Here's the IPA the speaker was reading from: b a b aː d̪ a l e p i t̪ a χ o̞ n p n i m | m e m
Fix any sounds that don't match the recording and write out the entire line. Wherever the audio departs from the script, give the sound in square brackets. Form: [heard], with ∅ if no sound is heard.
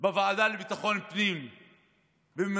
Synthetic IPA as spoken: b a [v] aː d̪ a l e [b] i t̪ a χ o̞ n p n i m | [b] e m